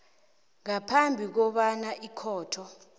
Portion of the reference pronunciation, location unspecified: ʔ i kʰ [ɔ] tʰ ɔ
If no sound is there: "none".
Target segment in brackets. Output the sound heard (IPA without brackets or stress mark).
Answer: ɔː